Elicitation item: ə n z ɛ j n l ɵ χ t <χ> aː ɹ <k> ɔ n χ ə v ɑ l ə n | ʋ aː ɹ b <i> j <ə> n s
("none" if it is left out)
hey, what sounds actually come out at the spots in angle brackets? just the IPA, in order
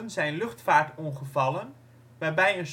f, t, ɛ, ə

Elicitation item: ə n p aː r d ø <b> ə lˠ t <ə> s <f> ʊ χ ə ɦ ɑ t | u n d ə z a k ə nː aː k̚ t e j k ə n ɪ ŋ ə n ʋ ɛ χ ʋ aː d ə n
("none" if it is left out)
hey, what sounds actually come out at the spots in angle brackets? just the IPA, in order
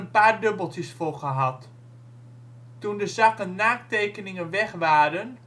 b, ə, f

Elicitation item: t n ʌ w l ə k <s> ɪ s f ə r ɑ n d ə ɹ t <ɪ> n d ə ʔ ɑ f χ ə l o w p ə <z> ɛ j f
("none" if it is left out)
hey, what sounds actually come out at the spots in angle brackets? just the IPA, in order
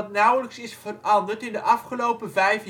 s, ɪ, v

